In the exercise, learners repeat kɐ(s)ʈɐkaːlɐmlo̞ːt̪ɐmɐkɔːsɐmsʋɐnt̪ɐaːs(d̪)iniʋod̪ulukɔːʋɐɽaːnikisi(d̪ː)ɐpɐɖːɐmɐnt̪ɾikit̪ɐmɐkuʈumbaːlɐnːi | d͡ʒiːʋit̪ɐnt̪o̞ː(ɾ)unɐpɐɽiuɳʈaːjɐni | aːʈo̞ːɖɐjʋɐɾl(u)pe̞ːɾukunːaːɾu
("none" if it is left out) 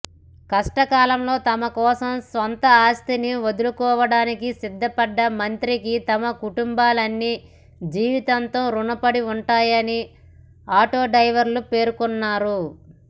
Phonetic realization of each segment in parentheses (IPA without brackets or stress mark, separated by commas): ʂ, t̪, d̪ː, ɾ, u